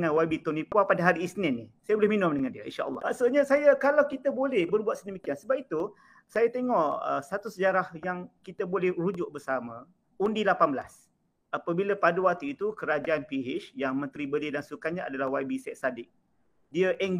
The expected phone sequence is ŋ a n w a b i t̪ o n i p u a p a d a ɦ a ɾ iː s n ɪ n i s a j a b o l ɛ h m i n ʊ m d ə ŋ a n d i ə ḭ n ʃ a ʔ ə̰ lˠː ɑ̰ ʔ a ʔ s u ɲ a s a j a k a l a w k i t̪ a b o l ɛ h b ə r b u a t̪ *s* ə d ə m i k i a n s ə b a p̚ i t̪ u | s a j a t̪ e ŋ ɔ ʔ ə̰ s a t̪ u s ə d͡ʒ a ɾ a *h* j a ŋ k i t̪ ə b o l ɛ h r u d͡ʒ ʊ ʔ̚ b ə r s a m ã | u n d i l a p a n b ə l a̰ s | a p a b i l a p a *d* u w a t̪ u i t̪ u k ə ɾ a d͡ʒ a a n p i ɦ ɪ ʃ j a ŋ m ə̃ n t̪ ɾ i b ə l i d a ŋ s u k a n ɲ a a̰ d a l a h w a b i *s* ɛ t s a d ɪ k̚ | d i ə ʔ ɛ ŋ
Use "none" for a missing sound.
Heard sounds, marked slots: s, h, d, s

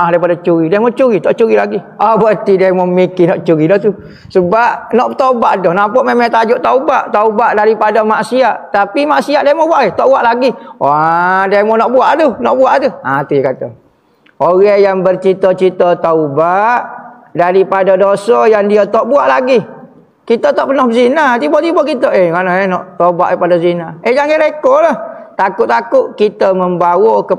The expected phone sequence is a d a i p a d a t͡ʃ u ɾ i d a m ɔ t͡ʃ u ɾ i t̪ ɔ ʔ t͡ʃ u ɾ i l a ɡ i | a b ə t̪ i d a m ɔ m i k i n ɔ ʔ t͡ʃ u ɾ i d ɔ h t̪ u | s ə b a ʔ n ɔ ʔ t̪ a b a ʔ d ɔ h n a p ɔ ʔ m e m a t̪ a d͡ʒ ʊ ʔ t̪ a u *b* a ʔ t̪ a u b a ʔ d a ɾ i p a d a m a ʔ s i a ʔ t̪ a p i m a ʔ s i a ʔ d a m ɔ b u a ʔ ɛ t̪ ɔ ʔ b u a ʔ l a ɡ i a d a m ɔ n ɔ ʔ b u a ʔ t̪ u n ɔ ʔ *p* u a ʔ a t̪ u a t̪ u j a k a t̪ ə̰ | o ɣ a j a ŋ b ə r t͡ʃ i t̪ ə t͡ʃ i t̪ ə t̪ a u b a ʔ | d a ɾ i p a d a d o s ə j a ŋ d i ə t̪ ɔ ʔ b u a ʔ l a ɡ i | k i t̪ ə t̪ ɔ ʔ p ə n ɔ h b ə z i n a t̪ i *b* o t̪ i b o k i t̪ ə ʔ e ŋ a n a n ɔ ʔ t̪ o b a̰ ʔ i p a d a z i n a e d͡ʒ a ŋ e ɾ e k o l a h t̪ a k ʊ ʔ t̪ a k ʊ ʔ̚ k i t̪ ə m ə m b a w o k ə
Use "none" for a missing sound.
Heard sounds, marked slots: b, b, b

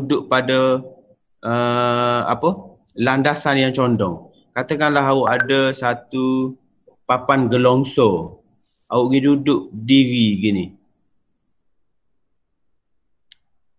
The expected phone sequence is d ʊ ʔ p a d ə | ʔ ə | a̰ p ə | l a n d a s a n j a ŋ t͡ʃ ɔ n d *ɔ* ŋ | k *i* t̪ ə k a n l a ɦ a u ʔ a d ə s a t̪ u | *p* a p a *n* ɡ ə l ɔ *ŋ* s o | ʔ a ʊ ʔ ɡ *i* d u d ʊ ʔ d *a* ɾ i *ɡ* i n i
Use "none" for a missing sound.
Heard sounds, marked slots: ɔ, a, p, n, ŋ, i, i, ɡ

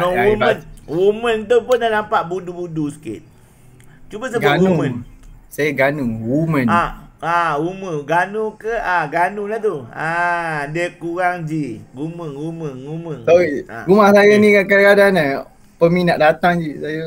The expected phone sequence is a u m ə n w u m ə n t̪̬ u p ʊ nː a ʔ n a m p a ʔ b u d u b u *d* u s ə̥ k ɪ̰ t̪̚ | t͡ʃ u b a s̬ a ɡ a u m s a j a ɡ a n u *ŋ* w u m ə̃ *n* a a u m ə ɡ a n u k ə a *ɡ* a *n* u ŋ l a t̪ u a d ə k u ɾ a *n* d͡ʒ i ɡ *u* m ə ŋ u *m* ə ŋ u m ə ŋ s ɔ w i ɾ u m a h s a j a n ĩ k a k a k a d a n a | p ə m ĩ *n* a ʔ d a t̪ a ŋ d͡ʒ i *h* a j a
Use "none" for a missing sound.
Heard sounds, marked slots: d, ŋ, n, ɡ, n, ŋ, u, m, n, s

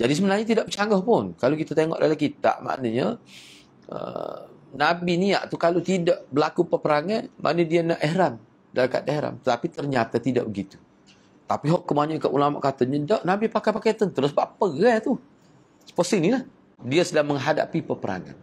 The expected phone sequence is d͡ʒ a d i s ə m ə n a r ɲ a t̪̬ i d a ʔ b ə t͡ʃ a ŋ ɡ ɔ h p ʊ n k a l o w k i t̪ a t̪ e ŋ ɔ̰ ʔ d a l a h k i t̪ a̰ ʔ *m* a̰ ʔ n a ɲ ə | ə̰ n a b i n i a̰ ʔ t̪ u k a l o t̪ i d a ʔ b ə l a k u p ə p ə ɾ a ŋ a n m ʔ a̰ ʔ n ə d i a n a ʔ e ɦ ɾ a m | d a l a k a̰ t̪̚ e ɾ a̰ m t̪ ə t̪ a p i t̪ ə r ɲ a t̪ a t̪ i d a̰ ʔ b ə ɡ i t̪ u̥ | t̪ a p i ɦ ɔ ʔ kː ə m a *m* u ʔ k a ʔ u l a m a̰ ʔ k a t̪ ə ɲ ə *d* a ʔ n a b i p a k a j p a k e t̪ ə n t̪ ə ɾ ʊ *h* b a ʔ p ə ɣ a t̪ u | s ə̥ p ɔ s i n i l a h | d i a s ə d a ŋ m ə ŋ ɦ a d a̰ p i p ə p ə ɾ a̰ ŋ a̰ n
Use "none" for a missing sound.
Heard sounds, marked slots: m, ɲ, d, s

